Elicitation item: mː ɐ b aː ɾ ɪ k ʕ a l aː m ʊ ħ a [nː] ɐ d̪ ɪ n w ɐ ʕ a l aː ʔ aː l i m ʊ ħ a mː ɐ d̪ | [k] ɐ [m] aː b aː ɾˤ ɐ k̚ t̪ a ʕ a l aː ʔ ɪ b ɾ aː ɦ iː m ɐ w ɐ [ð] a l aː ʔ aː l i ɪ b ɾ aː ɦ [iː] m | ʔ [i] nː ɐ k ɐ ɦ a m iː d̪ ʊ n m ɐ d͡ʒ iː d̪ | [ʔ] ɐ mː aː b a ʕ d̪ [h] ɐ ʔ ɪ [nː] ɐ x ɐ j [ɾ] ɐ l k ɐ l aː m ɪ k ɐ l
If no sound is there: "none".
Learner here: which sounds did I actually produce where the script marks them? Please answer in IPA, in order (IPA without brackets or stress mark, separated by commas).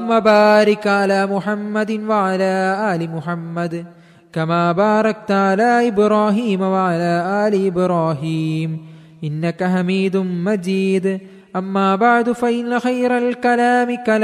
mː, k, m, ʕ, iː, ɪ, ʔ, f, nː, ɾ